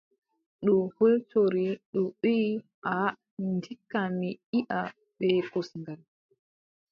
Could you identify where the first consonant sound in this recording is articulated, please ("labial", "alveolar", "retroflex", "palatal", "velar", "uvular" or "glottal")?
alveolar